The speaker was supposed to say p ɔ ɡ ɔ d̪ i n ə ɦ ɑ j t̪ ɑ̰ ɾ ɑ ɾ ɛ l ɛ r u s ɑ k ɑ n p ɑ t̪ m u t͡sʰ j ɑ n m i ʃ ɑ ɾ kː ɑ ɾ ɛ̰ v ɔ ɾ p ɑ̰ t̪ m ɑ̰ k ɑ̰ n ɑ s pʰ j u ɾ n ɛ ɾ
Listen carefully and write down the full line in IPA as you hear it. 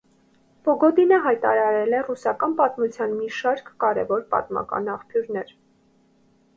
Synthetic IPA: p ɔ ɡ ɔ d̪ i n ə ɦ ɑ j t̪ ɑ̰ ɾ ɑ ɾ ɛ l ɛ r u s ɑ k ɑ n p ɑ t̪ m u t͡sʰ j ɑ n m i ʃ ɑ ɾ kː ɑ ɾ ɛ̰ v ɔ ɾ p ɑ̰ t̪ m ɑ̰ k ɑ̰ n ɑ χ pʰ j u ɾ n ɛ ɾ